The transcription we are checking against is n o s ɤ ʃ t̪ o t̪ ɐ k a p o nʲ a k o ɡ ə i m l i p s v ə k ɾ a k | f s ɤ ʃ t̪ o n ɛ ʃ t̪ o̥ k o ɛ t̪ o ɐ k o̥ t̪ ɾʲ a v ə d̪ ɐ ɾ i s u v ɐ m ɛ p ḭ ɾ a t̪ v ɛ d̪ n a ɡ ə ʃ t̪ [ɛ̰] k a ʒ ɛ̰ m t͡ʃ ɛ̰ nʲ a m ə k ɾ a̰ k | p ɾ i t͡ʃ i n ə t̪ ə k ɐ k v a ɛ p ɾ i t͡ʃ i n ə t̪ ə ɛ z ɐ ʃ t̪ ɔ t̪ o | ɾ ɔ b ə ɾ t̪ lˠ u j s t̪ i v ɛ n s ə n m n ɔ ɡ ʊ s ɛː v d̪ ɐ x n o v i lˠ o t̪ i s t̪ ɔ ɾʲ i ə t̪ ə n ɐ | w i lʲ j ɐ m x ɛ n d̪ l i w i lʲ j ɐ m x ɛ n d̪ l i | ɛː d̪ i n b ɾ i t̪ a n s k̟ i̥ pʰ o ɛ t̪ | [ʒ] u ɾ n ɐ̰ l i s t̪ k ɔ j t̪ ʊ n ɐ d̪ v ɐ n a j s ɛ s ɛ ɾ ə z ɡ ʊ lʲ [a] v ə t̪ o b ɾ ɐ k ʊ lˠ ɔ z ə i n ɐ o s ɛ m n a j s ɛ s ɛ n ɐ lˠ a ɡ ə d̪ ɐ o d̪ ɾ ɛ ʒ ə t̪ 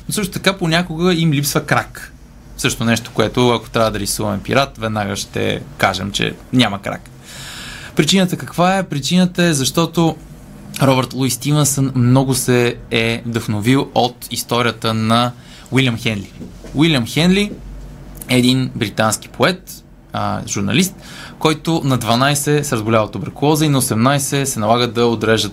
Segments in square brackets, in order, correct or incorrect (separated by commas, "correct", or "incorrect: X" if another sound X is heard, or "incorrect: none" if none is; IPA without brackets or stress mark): correct, correct, correct